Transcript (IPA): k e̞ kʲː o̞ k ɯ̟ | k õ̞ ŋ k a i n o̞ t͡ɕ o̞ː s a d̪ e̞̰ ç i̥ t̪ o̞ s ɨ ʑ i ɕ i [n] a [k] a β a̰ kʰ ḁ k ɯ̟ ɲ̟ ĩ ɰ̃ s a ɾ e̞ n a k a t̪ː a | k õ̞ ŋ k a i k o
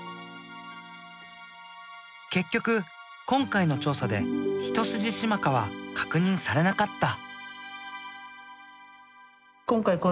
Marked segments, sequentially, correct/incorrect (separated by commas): incorrect, correct